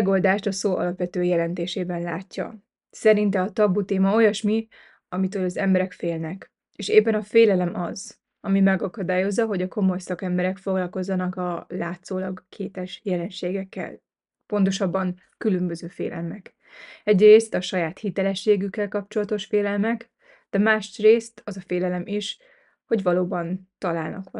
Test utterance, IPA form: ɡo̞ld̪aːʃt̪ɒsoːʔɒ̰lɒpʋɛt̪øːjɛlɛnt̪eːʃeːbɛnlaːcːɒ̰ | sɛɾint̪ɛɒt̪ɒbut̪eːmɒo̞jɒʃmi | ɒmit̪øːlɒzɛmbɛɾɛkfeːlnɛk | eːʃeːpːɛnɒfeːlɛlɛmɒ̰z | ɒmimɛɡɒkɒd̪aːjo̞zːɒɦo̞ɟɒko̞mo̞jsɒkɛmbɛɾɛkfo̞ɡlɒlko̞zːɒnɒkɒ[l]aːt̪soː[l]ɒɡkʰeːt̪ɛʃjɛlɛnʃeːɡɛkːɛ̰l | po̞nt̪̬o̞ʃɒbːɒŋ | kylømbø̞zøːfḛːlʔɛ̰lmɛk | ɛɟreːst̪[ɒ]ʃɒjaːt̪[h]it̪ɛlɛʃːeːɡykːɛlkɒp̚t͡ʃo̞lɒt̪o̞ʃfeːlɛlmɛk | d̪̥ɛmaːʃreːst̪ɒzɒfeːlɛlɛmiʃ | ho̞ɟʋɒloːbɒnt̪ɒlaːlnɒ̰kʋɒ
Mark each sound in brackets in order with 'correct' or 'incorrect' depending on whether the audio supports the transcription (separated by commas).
correct, correct, correct, correct